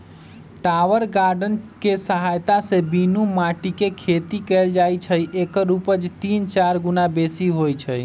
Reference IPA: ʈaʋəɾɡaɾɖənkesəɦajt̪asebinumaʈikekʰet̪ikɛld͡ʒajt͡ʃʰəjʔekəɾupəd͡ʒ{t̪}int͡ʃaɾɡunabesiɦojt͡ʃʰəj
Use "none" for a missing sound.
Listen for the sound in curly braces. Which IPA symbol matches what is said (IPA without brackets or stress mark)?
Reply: t̪